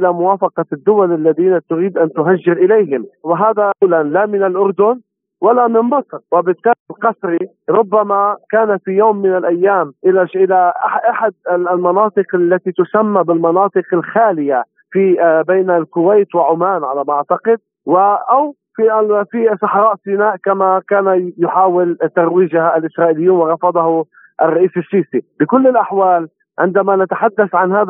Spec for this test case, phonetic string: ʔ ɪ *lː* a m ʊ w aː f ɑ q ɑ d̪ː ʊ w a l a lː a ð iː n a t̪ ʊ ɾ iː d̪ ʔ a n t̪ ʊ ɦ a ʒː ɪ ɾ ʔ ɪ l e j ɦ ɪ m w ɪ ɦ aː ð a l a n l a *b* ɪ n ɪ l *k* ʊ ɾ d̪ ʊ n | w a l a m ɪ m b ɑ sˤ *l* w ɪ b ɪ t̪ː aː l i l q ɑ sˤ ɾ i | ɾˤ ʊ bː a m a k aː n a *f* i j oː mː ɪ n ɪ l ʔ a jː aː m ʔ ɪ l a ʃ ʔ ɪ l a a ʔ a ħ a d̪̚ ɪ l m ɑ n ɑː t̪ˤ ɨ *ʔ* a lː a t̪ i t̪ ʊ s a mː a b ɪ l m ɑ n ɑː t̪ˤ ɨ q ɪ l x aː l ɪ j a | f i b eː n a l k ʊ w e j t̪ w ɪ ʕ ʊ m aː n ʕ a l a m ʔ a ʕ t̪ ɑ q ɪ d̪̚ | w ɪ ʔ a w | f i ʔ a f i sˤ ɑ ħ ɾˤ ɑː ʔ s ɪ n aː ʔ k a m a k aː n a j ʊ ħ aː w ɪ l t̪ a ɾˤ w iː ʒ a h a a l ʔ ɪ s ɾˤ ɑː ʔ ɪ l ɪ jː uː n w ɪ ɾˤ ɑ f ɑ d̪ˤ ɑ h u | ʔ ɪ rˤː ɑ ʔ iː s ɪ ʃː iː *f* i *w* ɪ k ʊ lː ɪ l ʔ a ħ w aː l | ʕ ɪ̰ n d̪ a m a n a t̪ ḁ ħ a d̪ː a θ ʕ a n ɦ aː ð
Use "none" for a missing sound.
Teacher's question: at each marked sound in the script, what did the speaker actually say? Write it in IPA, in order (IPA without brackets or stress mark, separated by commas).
l, m, ʔ, ɾ, f, q, s, b